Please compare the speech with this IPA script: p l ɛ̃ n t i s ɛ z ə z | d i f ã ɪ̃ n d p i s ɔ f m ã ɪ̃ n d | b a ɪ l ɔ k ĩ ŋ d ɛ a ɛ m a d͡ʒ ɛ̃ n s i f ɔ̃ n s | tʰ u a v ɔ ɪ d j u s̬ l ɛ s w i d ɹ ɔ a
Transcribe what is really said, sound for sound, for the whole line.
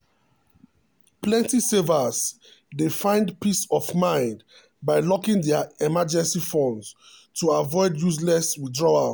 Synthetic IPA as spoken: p l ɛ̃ n t i s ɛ v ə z | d e f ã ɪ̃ n d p i s ɔ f m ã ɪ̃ n d | b a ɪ l ɔ k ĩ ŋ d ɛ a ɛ m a d͡ʒ ɛ̃ n s i f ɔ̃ n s | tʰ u a v ɔ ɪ d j u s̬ l ɛ s w i d ɹ ɔ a